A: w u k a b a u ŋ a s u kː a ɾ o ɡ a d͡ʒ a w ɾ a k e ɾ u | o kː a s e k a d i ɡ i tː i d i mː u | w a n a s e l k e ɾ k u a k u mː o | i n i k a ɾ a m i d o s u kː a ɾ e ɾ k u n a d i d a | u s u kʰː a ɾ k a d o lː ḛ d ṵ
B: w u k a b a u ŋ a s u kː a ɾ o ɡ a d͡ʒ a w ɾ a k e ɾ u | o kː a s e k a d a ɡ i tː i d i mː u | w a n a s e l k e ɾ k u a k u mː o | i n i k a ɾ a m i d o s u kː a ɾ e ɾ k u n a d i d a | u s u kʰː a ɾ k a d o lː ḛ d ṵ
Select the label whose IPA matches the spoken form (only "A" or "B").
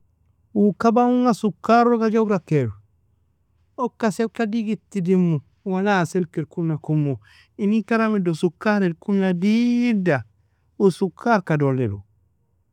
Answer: A